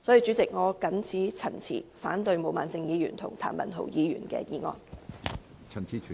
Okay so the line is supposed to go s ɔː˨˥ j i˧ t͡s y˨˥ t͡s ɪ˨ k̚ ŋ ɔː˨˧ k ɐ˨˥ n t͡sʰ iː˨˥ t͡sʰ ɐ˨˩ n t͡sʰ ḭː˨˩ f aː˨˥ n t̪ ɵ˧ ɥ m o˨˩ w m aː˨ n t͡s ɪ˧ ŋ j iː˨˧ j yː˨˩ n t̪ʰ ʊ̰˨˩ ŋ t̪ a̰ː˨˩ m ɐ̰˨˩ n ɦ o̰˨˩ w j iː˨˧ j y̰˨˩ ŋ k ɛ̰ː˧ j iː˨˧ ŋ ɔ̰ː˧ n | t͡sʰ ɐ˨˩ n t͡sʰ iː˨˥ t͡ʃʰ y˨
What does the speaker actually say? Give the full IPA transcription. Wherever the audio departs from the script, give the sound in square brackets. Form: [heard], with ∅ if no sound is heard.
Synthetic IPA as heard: s [ɔ˨˥] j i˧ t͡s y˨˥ t͡s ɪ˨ k̚ ŋ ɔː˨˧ k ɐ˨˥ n t͡sʰ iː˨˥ t͡sʰ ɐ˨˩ n t͡sʰ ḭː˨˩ f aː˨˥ n t̪ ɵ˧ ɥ m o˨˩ w m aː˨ n t͡s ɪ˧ ŋ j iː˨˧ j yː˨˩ n t̪ʰ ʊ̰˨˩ ŋ [t̪ʰ] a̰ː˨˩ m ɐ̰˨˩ n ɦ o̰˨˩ w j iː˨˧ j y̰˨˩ [n] k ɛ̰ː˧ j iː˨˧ ŋ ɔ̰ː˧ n | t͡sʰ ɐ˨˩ n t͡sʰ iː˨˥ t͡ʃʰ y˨